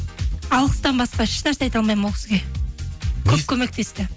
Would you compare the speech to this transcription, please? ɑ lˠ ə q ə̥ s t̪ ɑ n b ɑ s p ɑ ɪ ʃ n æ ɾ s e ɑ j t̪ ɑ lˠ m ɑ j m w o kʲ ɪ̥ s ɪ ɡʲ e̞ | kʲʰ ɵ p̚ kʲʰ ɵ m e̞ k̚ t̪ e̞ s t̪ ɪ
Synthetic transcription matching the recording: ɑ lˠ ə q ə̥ s t̪ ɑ n b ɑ s q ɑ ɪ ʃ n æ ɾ s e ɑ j t̪ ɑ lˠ m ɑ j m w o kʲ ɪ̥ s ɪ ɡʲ e̞ | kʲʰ ɵ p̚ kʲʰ ɵ m e̞ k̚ t̪ e̞ s t̪ ɪ